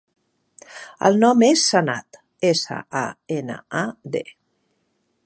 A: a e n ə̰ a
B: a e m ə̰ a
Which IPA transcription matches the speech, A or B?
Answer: A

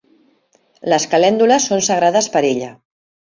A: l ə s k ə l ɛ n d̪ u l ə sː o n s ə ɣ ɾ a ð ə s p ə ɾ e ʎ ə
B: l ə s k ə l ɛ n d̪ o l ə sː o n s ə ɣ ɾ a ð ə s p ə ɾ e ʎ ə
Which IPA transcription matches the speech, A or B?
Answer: A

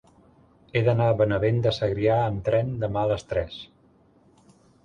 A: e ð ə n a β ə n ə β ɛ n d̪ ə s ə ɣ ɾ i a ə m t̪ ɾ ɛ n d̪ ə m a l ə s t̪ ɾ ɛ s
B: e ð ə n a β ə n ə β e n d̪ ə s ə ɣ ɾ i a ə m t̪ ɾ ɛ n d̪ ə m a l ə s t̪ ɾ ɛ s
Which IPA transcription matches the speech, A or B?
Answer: B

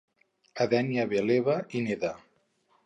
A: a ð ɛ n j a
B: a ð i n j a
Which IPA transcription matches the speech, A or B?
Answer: A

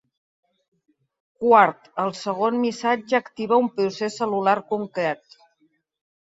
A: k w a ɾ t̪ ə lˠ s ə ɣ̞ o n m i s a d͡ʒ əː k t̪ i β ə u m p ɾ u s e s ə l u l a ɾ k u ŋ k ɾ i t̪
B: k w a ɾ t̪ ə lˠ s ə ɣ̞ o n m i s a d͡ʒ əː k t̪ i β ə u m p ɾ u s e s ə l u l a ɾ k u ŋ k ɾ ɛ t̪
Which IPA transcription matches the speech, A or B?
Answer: B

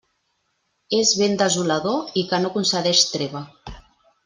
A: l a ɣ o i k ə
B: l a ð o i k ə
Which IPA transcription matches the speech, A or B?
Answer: B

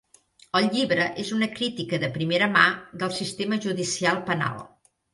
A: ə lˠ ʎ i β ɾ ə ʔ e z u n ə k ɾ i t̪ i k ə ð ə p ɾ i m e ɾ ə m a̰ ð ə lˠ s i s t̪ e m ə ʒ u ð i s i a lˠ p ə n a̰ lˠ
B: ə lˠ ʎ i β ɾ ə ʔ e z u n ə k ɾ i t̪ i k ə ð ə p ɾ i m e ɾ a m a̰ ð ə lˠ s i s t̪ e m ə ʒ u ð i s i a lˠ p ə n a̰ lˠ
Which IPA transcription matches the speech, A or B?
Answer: A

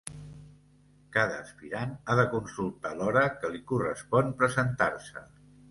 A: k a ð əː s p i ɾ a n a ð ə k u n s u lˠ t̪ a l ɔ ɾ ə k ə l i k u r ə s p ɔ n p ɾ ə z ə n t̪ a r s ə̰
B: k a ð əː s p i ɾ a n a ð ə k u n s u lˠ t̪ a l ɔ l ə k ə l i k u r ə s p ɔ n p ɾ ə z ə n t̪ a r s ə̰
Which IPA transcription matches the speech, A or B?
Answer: A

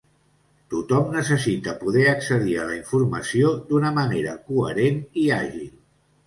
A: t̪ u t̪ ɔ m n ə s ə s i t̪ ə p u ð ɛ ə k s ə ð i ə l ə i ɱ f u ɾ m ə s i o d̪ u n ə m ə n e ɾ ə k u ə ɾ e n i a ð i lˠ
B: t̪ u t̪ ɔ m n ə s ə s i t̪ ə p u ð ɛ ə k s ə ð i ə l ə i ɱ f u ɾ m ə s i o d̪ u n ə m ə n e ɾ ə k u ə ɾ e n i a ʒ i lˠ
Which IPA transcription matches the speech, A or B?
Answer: B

